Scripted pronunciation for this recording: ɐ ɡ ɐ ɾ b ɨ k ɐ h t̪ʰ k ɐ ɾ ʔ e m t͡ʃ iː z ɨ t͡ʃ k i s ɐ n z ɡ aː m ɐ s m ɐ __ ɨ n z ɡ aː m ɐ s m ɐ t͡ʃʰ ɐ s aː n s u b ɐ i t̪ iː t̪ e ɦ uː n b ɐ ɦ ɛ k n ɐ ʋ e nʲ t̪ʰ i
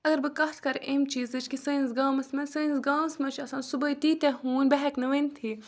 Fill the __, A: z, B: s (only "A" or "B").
B